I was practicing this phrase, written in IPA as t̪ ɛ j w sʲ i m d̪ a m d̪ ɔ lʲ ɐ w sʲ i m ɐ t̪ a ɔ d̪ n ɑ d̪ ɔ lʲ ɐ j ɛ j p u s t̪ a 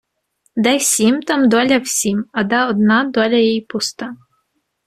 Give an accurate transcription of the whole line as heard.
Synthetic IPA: d̪ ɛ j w sʲ i m t̪ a m d̪ ɔ lʲ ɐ w sʲ i m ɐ d̪ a ɔ d̪ n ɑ d̪ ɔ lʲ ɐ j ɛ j p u s t̪ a